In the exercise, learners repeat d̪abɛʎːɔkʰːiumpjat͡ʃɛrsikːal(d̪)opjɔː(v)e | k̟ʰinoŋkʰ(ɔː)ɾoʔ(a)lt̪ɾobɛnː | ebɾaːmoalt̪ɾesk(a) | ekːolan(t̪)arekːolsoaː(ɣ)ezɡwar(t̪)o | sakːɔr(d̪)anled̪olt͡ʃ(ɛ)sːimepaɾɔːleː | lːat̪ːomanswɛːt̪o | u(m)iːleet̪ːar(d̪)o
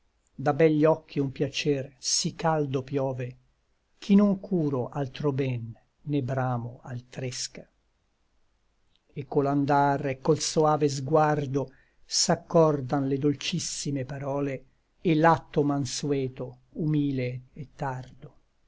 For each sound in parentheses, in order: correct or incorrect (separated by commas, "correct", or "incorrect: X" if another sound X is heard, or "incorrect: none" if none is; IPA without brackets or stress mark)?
correct, correct, incorrect: uː, correct, correct, incorrect: d̪, incorrect: v, incorrect: d̪, correct, incorrect: i, correct, correct